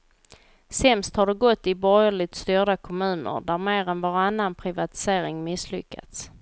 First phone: s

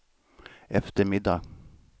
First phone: ɛ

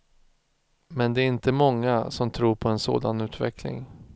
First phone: m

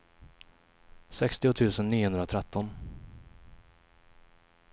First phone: s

